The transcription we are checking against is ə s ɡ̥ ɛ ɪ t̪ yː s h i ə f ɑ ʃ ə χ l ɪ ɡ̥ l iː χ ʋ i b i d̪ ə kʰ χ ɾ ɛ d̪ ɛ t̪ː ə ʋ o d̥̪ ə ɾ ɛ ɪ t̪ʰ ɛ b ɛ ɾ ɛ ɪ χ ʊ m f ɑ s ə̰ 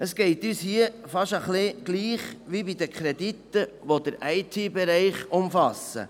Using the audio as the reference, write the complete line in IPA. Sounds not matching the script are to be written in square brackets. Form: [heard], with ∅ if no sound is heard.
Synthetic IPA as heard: ə s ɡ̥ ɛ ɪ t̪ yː s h i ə f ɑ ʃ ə χ l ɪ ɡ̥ l iː χ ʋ i b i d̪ ə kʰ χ ɾ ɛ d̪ [i] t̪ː ə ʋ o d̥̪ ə ɾ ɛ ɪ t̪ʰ [i] b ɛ ɾ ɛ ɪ χ ʊ m f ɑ s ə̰